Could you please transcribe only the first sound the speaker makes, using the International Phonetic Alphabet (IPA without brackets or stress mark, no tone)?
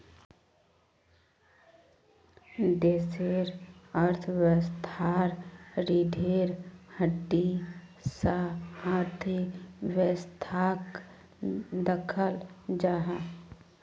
d̪